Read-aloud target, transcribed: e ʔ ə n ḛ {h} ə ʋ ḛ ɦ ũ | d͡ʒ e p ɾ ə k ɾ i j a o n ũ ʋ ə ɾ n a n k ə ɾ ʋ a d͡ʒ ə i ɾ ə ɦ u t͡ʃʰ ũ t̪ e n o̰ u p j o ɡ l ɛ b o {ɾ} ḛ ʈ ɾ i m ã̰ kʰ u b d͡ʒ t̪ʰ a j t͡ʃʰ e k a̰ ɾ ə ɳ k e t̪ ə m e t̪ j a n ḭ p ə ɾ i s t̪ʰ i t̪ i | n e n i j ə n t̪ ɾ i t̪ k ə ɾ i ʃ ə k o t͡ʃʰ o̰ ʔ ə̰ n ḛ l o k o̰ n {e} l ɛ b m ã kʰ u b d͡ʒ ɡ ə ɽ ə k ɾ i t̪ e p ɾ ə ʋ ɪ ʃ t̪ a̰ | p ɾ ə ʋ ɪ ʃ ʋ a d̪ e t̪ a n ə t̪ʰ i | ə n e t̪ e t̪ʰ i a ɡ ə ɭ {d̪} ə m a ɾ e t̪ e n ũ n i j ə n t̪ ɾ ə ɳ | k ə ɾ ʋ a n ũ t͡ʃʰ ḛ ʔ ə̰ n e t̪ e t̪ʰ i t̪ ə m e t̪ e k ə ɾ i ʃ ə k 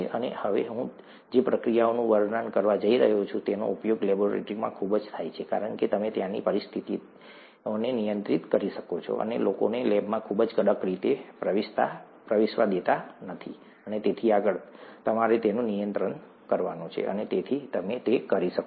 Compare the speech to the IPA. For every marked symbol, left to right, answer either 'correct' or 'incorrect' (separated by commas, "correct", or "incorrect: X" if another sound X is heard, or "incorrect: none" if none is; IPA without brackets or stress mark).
correct, correct, correct, incorrect: t̪